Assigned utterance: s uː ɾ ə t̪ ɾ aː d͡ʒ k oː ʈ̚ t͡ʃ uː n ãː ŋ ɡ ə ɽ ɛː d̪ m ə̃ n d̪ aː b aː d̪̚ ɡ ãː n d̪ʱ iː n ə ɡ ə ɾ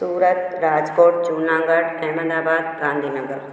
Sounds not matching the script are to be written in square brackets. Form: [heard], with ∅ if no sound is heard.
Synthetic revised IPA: s uː ɾ ə t̪ ɾ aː d͡ʒ k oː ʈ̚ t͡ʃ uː n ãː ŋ ɡ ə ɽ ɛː [∅] m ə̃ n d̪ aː b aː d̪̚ ɡ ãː n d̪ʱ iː n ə ɡ ə ɾ